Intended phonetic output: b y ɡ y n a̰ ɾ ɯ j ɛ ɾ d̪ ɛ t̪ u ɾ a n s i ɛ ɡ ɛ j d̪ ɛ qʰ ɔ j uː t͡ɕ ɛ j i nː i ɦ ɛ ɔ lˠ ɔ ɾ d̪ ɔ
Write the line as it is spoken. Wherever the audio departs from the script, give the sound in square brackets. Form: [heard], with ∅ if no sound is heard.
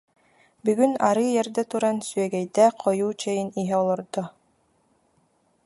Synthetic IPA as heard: b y ɡ y n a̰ ɾ ɯ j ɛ ɾ d̪ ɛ t̪ u ɾ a n s [y] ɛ ɡ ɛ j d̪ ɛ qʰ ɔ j uː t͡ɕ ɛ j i [n] i ɦ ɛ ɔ lˠ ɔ ɾ d̪ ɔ